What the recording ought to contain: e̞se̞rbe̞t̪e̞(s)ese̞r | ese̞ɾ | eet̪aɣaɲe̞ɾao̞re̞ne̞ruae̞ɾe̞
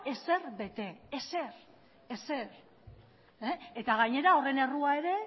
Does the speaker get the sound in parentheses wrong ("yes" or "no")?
yes